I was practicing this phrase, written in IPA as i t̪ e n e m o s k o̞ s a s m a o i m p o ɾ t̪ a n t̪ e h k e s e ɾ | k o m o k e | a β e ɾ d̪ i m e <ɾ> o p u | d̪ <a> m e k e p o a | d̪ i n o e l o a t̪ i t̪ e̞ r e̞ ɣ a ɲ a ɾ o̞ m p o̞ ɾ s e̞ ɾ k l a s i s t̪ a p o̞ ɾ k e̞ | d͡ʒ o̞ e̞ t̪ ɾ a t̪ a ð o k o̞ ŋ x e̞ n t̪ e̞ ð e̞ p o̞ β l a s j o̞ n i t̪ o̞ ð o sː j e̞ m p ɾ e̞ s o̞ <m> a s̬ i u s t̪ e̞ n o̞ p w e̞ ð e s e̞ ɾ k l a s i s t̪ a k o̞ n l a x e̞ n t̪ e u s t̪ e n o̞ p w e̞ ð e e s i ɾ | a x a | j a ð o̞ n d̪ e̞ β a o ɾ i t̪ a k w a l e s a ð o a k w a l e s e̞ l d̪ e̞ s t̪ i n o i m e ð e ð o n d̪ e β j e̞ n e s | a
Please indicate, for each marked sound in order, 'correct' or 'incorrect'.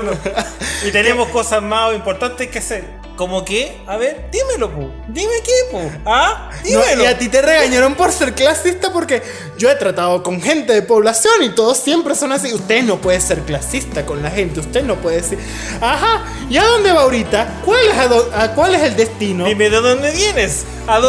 incorrect, incorrect, incorrect

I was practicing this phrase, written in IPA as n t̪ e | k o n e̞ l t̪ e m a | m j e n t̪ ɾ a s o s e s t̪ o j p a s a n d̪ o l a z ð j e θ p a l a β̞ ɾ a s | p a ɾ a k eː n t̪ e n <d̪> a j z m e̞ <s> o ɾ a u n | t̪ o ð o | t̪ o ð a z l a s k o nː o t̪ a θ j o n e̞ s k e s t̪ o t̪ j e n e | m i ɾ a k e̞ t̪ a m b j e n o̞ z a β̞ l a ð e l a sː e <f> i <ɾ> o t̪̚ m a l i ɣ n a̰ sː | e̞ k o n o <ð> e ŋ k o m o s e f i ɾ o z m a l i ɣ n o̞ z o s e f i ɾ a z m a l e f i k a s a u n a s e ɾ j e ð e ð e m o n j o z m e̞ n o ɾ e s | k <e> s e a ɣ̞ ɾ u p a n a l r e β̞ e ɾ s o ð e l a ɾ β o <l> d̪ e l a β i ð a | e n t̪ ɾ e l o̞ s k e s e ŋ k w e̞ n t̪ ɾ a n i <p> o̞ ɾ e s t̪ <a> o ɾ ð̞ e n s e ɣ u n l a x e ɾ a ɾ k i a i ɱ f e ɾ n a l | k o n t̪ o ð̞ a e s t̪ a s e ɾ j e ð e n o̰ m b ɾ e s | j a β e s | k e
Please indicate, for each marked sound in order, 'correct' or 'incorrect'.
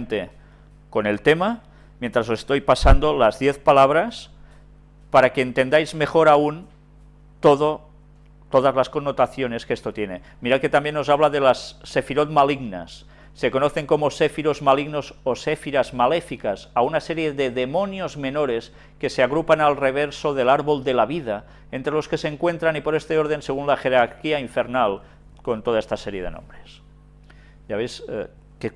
correct, incorrect, correct, correct, incorrect, correct, correct, correct, incorrect

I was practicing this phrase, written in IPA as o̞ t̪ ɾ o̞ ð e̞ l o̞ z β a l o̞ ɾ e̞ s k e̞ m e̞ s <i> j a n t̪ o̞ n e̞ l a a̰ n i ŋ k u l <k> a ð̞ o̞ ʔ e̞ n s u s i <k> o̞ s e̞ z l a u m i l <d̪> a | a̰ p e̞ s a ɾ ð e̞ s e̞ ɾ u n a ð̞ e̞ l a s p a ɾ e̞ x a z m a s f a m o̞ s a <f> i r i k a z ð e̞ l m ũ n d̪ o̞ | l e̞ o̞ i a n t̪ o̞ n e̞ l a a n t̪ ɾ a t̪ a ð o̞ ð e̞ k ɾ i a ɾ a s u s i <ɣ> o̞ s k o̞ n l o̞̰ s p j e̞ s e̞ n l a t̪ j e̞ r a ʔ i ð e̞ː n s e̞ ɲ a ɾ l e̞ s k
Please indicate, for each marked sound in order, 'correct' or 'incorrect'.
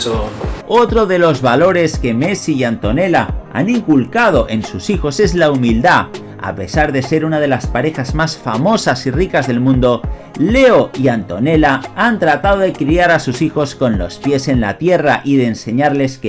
correct, correct, incorrect, correct, incorrect, incorrect

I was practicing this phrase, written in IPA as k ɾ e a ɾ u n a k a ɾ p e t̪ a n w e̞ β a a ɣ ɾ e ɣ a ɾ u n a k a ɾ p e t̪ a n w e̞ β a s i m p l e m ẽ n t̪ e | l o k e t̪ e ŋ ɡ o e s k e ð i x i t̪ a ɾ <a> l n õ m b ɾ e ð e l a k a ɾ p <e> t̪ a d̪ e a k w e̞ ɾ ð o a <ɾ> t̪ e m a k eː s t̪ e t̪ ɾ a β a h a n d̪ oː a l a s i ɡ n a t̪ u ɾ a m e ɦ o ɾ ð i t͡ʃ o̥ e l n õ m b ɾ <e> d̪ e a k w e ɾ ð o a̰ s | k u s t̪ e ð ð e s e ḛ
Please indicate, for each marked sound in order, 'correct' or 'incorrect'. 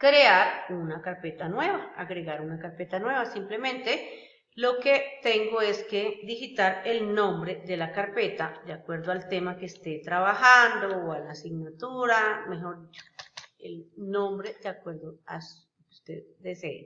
incorrect, correct, incorrect, correct

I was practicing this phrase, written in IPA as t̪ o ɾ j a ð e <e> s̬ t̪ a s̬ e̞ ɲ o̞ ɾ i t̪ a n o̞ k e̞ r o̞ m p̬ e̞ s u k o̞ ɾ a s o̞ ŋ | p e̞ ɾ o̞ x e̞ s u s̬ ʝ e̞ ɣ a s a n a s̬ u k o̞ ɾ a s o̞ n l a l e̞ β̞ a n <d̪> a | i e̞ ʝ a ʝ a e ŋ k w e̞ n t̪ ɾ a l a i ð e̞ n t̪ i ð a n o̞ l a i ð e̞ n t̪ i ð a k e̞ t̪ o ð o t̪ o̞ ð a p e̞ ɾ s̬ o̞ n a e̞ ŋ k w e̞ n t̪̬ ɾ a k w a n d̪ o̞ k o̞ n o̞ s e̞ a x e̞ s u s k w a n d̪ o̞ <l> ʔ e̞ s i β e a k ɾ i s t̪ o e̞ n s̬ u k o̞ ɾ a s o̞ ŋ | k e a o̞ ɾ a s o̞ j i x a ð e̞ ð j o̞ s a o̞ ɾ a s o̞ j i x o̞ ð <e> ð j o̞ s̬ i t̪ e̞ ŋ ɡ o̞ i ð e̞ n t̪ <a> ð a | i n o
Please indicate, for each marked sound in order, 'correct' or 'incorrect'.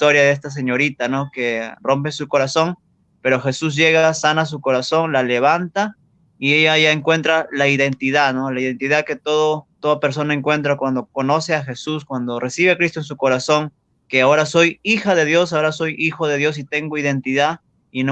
correct, incorrect, incorrect, correct, incorrect

